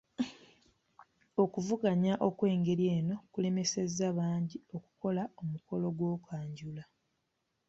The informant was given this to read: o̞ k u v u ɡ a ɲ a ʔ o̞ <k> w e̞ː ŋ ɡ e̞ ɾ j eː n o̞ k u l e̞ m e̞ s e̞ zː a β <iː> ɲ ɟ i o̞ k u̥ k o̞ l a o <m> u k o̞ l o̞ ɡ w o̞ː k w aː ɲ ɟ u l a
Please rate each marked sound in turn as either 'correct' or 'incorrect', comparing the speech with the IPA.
correct, incorrect: aː, correct

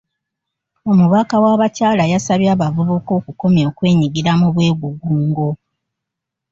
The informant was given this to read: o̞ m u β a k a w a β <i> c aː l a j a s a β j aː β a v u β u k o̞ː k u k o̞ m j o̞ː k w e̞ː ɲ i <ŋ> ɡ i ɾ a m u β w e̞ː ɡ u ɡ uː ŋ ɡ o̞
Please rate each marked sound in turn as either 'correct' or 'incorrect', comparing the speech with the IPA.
incorrect: a, incorrect: none

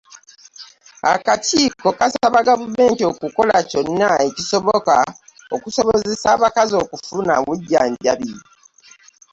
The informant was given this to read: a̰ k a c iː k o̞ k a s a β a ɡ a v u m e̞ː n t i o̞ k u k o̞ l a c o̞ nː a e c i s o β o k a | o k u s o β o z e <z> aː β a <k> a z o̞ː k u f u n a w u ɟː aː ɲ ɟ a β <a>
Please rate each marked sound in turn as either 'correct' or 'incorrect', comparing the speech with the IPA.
incorrect: s, correct, incorrect: i

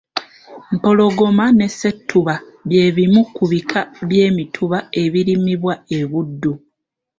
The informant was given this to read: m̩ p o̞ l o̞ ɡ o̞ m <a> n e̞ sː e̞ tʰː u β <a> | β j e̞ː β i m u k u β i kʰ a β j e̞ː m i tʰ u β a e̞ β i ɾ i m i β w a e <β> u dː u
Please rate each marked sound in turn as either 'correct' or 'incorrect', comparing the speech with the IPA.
correct, correct, correct

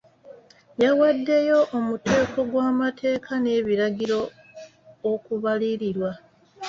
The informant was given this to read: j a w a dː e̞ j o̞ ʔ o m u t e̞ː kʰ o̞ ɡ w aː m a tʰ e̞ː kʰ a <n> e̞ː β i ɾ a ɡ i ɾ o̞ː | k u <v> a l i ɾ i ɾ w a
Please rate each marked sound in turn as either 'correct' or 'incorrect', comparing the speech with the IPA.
correct, incorrect: β

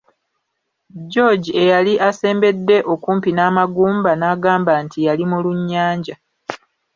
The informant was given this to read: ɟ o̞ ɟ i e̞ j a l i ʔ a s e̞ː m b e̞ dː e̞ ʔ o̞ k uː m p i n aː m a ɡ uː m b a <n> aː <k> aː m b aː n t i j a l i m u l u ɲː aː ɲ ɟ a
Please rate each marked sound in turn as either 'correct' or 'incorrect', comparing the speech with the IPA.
correct, incorrect: ɡ

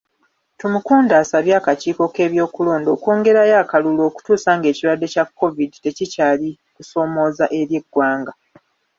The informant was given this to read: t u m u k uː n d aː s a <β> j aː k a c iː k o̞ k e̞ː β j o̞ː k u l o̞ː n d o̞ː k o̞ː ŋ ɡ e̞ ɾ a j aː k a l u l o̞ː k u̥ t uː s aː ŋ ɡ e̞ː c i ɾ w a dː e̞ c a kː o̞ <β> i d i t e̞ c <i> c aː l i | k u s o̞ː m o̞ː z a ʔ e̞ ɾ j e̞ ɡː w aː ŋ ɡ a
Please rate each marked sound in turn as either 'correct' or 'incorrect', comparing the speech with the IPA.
correct, incorrect: v, correct

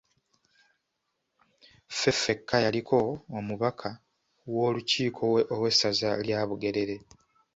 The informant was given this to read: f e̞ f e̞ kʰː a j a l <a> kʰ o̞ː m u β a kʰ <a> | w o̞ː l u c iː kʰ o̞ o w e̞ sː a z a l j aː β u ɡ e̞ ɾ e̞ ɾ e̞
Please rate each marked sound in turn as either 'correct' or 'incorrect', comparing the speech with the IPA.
incorrect: i, correct

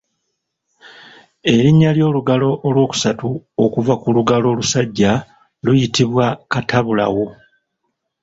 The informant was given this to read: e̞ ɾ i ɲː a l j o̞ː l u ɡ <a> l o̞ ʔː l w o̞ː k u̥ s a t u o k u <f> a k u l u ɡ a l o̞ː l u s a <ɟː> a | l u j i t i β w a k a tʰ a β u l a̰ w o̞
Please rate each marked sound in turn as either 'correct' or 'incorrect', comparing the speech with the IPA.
correct, incorrect: v, correct

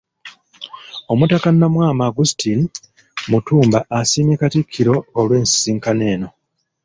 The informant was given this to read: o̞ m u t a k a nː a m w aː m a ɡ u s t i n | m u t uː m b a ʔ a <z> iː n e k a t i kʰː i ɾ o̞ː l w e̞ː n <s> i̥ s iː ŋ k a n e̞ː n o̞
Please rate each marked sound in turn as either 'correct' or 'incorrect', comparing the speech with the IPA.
incorrect: s, correct

